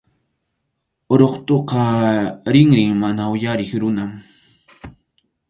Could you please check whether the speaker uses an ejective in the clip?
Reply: no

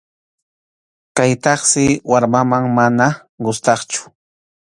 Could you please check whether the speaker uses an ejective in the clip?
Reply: no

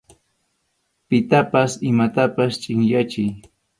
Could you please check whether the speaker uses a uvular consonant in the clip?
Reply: no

